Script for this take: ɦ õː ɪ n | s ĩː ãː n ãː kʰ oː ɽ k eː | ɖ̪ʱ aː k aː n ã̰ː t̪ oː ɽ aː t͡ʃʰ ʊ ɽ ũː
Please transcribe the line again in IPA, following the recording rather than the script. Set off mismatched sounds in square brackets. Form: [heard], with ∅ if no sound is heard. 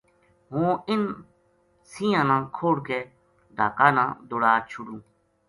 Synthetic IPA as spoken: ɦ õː ɪ n | s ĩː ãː n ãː kʰ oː ɽ k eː | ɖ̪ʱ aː k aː n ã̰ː [d̪] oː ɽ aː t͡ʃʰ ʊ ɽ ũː